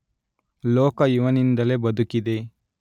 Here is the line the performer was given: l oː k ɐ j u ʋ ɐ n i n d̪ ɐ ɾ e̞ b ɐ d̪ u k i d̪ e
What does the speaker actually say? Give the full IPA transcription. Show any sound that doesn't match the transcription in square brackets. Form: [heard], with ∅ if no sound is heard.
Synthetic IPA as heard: l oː k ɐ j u ʋ ɐ n i n d̪ ɐ [l] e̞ b ɐ d̪ u k i d̪ e